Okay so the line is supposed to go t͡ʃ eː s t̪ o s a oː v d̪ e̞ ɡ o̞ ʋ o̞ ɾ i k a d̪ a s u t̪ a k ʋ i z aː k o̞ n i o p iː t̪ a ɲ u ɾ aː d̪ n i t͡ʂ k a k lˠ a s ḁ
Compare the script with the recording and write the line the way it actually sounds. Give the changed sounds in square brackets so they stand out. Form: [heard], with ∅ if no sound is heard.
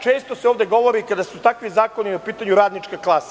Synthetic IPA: t͡ʃ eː s t̪ o s [e] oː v d̪ e̞ ɡ o̞ ʋ o̞ ɾ i k a d̪ a s u t̪ a k ʋ i z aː k o̞ n i o p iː t̪ a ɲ u ɾ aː d̪ n i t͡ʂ k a k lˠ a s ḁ